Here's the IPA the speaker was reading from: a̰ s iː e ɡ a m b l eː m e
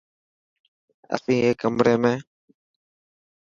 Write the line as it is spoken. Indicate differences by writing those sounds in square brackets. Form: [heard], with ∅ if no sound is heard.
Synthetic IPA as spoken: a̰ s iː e [k] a m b [ɾ] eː m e